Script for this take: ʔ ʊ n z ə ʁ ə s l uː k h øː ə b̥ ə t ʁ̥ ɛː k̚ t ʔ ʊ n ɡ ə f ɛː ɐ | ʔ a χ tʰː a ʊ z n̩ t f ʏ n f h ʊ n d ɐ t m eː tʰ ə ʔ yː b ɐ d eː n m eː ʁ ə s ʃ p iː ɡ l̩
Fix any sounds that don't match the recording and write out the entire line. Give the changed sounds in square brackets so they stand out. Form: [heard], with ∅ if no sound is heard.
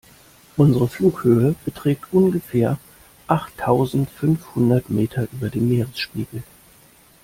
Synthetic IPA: ʔ ʊ n z ə ʁ ə [f] l uː k h øː ə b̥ ə t ʁ̥ ɛː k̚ t ʔ ʊ n ɡ ə f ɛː ɐ | ʔ a χ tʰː a ʊ z n̩ t f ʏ n f h ʊ n d ɐ t m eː tʰ [ɐ] ʔ yː b ɐ d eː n m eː ʁ ə s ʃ p iː ɡ l̩